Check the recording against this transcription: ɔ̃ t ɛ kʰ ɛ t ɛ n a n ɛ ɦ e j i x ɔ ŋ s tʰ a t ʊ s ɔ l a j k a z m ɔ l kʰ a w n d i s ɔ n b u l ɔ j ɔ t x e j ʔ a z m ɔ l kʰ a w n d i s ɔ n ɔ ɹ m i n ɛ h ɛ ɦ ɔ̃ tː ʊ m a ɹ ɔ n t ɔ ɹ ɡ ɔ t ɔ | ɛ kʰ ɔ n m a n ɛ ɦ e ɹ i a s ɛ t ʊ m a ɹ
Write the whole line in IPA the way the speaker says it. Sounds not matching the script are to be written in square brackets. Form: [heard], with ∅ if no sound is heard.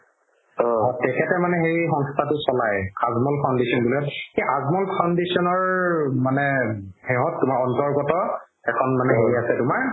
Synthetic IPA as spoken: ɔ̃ t ɛ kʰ ɛ t ɛ [m] a n ɛ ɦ e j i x ɔ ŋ s tʰ a t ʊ s ɔ l a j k a z m ɔ l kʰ a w n d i s ɔ n b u l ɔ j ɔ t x e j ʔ a z m ɔ l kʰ a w n d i s ɔ n ɔ ɹ m [a] n ɛ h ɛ ɦ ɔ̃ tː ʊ m a ɹ ɔ n t ɔ ɹ ɡ ɔ t ɔ | ɛ kʰ ɔ n m a n ɛ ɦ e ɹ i a s ɛ t ʊ m a ɹ